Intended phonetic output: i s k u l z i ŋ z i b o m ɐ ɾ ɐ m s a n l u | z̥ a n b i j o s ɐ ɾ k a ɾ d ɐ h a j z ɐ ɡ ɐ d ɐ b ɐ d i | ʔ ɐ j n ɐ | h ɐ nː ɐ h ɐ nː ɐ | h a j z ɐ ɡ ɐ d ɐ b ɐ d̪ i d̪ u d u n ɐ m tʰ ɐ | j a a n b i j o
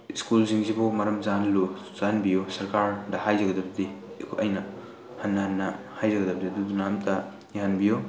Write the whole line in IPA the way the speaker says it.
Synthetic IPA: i s k u l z i ŋ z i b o m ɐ ɾ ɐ m z a n l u | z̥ a n b i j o s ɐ ɾ k a ɾ d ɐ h a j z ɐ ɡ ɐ d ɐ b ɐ d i | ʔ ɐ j n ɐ | h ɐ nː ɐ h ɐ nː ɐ | h a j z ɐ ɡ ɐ d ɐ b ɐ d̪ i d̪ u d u n a m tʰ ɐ | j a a n b i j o